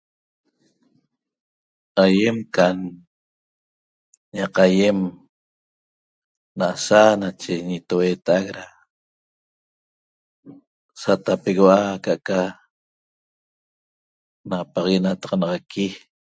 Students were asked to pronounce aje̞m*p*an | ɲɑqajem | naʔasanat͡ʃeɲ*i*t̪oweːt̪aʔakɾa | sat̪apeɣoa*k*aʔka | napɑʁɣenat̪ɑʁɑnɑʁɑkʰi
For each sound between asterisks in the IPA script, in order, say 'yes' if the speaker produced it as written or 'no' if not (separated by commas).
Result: no, yes, yes